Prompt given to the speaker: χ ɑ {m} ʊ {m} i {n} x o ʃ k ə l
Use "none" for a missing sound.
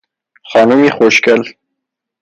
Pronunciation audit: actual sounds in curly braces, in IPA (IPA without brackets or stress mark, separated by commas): n, m, none